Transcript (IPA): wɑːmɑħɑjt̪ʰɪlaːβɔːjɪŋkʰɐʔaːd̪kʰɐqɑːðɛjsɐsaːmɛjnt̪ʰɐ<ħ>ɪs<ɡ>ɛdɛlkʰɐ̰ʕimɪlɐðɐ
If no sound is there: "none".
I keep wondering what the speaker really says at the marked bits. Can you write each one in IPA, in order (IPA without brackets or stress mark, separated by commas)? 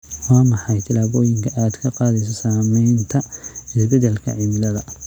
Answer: none, b